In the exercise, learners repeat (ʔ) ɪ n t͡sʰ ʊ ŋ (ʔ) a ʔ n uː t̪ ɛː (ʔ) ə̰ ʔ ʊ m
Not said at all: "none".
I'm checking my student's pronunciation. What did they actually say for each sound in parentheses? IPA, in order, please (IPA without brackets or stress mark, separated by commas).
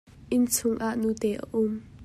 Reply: ʔ, ʔ, ʔ